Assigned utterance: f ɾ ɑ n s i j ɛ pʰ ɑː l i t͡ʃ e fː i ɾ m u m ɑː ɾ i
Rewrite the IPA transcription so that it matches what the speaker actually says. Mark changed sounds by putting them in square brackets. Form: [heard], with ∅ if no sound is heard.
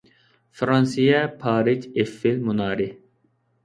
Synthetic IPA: f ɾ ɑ n s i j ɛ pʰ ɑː [ɾ] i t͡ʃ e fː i [l] m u [n] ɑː ɾ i

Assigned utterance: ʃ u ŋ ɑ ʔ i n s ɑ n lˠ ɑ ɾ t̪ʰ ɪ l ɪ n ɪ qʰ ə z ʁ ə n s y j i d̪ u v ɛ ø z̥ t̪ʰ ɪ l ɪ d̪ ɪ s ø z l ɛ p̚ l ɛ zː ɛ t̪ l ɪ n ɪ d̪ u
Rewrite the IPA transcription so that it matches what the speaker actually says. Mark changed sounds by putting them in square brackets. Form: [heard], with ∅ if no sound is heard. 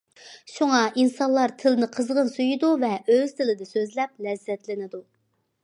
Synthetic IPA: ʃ u ŋ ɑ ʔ i n s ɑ n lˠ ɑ ɾ t̪ʰ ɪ l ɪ n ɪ qʰ ə z ʁ ə n s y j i d̪ u v ɛ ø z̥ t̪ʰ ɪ l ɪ d̪ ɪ s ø z l ɛ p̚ l ɛ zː ɛ t̪ l ɪ n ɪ d̪ u

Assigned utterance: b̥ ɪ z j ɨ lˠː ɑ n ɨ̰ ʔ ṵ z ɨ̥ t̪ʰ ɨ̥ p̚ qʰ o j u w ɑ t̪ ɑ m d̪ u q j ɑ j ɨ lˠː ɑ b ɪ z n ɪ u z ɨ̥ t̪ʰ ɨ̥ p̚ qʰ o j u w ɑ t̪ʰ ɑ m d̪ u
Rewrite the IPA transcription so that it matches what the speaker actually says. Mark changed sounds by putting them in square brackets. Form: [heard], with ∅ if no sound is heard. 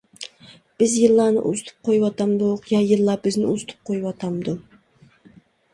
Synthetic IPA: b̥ ɪ z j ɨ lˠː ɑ n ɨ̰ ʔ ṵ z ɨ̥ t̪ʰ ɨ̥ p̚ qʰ o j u w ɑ t̪ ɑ m d̪ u q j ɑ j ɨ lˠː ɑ b ɪ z n ɪ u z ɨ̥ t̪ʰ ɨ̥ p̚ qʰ o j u w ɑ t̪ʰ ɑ m d̪ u

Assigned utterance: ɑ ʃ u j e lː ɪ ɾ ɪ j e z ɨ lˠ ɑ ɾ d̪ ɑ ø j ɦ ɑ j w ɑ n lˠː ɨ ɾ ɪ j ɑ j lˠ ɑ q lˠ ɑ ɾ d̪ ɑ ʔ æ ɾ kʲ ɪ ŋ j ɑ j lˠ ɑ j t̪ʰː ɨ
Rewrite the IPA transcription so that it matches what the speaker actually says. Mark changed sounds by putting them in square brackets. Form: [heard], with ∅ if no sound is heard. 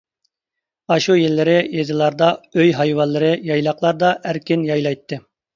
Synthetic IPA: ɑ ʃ u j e lː ɪ ɾ ɪ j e z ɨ lˠ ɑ ɾ d̪ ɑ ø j ɦ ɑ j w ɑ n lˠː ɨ ɾ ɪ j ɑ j lˠ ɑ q lˠ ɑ ɾ d̪ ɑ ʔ æ ɾ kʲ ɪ [n] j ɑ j lˠ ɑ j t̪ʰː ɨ

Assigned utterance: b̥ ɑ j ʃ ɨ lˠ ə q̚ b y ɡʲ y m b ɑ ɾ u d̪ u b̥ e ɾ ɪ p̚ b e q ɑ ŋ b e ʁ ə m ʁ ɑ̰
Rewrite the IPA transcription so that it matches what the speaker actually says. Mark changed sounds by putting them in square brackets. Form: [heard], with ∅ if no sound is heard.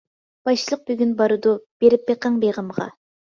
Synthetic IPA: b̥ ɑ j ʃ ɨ lˠ ə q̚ b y ɡʲ y [n] b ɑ ɾ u d̪ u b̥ e ɾ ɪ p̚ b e q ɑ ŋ b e ʁ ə m ʁ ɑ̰

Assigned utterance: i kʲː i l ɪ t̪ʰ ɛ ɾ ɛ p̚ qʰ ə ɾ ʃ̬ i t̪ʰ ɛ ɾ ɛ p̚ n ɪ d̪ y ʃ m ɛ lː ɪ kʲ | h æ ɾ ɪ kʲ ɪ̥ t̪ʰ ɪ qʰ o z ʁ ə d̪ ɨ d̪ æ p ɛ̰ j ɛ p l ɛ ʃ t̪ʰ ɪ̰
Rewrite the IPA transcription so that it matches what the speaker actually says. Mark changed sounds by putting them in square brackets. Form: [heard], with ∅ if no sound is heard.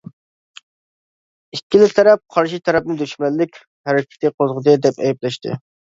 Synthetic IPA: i kʲː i l ɪ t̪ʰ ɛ ɾ ɛ p̚ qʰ [ɑ] ɾ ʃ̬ i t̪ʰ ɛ ɾ ɛ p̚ n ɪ d̪ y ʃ m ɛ lː ɪ kʲ | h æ ɾ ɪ kʲ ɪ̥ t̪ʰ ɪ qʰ o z ʁ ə d̪ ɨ d̪ [ɛ] p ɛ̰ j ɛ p l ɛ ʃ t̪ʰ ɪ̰

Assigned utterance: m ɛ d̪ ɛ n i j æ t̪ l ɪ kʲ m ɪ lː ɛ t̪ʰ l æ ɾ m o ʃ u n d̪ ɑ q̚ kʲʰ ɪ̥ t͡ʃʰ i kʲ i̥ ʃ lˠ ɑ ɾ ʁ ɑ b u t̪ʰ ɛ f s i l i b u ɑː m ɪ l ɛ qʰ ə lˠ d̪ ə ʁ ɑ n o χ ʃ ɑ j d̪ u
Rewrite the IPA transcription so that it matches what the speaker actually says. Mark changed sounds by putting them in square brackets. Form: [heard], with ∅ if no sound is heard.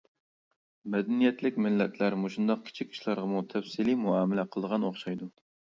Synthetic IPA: m ɛ d̪ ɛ n i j [ɛ] t̪ l ɪ kʲ m ɪ lː ɛ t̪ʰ l æ ɾ m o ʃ u n d̪ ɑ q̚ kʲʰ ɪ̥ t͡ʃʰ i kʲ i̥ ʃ lˠ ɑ ɾ ʁ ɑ [m] u t̪ʰ ɛ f s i l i [m] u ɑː m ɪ l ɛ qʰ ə lˠ d̪ ə ʁ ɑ n o χ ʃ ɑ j d̪ u

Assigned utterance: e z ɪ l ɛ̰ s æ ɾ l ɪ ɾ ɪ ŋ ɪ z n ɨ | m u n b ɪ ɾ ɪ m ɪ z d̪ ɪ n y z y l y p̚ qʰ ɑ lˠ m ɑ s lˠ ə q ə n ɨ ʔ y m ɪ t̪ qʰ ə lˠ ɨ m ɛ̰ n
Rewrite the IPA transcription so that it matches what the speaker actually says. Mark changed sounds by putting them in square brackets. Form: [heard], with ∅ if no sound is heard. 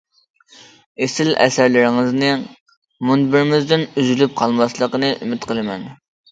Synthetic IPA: e [s] ɪ l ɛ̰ s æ ɾ l ɪ ɾ ɪ ŋ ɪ z n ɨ | m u n b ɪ ɾ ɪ m ɪ z d̪ ɪ n y z y l y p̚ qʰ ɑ lˠ m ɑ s lˠ ə q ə n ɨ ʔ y m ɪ t̪ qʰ ə lˠ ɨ m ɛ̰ n

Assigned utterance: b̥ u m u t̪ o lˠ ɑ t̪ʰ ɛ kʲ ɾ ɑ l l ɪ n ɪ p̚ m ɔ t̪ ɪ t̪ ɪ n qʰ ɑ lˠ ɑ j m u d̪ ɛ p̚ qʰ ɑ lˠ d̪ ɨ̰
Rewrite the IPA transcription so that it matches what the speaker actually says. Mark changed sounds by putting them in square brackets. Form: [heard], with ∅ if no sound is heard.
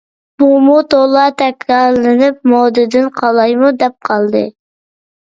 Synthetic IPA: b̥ u m u t̪ o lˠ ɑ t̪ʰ ɛ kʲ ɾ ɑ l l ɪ n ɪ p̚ m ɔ [d̪] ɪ [d̪] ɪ n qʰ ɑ lˠ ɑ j m u d̪ ɛ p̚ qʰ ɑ lˠ d̪ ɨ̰

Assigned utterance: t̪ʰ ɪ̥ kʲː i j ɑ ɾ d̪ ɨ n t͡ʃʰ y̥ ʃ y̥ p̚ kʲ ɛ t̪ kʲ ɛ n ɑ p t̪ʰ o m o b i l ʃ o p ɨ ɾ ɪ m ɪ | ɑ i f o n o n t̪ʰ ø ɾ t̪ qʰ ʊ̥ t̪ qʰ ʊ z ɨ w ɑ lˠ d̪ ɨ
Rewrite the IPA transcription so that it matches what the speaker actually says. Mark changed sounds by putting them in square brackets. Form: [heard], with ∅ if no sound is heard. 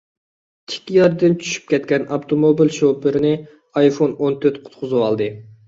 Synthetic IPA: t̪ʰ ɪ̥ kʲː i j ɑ ɾ d̪ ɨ n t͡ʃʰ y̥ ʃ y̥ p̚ kʲ ɛ t̪ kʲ ɛ n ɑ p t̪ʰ o m o b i l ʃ o p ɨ ɾ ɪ [n] ɪ | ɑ [j] f o n o n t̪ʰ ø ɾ t̪ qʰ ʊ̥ t̪ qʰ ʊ z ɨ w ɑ lˠ d̪ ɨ

